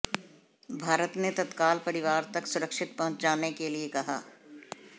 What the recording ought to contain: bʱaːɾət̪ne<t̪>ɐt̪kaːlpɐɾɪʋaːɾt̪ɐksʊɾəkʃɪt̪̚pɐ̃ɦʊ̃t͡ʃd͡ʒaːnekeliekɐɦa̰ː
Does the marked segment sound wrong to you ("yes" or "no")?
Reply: no